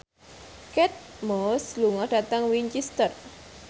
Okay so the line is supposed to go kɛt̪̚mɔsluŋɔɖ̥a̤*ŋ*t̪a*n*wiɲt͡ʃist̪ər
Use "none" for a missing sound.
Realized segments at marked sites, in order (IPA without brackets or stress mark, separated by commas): none, ŋ